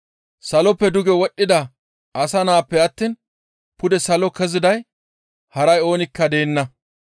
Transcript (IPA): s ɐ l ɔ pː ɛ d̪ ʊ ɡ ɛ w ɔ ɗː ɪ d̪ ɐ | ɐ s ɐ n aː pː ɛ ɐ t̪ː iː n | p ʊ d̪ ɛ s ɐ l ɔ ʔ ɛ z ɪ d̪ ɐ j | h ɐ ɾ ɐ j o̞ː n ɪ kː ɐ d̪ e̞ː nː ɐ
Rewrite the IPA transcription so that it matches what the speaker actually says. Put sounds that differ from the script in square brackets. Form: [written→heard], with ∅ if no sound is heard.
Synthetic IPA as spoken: s ɐ l ɔ pː ɛ d̪ ʊ ɡ ɛ w ɔ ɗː ɪ d̪ ɐ | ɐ s ɐ n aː pː ɛ ɐ t̪ː iː n | p ʊ d̪ ɛ s ɐ l ɔ [ʔ→k] ɛ z ɪ d̪ ɐ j | h ɐ ɾ ɐ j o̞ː n ɪ kː ɐ d̪ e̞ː nː ɐ